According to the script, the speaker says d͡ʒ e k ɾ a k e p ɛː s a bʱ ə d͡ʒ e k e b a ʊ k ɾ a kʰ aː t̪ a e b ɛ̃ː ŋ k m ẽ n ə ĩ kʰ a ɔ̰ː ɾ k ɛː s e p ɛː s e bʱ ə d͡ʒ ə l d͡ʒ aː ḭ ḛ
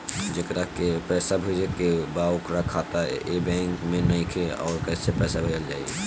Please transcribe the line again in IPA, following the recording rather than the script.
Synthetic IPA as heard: d͡ʒ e k ɾ a k e p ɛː s a bʱ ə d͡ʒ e k e b a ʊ k ɾ a kʰ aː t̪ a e b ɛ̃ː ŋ k m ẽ n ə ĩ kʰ e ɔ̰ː ɾ k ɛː s e p ɛː s a bʱ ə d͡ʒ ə l d͡ʒ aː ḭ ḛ